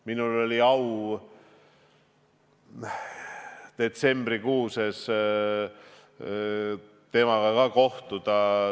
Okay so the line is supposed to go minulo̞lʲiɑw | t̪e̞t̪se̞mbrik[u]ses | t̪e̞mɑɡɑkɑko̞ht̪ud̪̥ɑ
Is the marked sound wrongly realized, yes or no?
yes